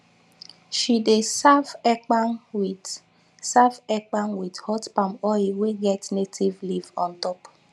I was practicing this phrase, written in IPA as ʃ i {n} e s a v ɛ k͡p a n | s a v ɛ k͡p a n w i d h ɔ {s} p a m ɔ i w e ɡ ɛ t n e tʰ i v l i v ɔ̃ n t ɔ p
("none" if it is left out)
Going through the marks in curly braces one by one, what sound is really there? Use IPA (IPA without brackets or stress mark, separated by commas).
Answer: d, t